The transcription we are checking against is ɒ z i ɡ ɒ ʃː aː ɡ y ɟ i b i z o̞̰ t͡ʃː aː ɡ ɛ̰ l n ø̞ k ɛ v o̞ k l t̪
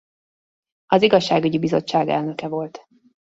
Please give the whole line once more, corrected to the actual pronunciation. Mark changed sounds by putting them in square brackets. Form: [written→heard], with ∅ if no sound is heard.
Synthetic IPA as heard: ɒ z i ɡ ɒ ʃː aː ɡ y ɟ i b i z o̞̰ t͡ʃː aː ɡ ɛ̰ l n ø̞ k ɛ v o̞ [k→∅] l t̪